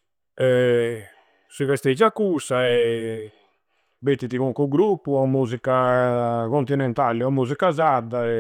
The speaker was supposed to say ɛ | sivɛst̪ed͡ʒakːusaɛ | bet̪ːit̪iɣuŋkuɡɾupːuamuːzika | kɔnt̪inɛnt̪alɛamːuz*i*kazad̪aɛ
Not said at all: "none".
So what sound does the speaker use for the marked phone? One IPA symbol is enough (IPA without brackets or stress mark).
i